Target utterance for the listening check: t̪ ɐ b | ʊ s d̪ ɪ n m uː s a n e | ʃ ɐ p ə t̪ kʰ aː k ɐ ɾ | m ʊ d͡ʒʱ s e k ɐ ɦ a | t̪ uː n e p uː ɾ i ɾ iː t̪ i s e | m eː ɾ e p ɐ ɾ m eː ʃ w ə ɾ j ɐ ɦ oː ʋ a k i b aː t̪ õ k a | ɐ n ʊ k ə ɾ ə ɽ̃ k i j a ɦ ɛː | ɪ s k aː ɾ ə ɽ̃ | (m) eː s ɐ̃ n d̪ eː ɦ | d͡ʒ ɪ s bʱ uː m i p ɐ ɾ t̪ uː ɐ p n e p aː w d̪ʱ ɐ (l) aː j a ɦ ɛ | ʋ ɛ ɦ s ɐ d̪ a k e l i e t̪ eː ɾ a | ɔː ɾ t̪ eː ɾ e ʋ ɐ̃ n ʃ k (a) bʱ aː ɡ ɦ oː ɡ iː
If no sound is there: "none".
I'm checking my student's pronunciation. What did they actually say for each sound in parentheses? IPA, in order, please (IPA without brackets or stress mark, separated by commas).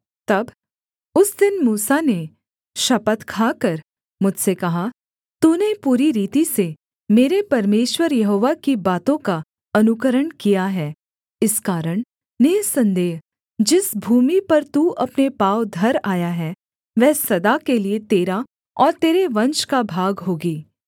n, ɾ, a